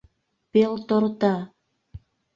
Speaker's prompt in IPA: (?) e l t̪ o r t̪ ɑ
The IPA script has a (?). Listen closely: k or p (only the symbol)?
p